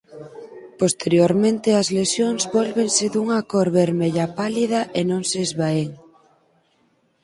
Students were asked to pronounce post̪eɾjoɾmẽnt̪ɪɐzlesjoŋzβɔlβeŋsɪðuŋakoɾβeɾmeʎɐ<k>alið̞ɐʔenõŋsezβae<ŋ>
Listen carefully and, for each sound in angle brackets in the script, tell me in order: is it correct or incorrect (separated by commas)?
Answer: incorrect, correct